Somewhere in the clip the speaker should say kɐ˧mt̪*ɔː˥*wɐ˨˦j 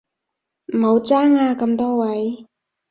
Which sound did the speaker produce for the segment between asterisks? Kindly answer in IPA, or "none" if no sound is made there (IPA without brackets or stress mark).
ɔː˥